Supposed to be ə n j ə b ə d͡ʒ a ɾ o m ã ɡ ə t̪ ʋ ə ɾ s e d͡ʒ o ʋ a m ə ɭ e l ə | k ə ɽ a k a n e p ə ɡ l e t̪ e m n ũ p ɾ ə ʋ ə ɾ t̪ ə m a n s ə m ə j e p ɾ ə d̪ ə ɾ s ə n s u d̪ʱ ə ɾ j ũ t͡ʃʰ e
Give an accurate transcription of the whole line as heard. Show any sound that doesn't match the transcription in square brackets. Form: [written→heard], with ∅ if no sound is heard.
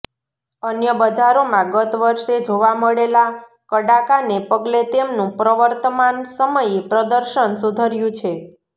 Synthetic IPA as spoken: ə n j ə b ə d͡ʒ a ɾ o m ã ɡ ə t̪ ʋ ə ɾ [s→ʃ] e d͡ʒ o ʋ a m ə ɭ e l [ə→a] | k ə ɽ a k a n e p ə ɡ l e t̪ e m n ũ p ɾ ə ʋ ə ɾ t̪ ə m a n s ə m ə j e p ɾ ə d̪ ə ɾ [s→ʃ] ə n s u d̪ʱ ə ɾ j ũ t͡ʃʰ e